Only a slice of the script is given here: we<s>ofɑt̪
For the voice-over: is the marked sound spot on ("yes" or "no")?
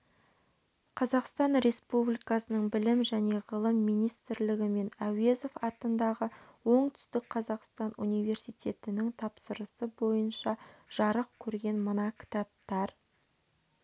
no